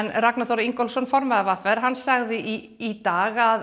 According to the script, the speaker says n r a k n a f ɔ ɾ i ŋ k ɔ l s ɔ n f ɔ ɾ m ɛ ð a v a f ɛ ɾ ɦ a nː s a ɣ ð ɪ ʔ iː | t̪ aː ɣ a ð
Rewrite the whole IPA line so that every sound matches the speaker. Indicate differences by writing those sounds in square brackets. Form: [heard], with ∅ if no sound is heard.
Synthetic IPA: n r a k n a [θ] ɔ ɾ i ŋ k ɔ l s ɔ n f ɔ ɾ m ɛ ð a v a f ɛ ɾ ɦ a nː s a ɣ ð ɪ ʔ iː | t̪ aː ɣ a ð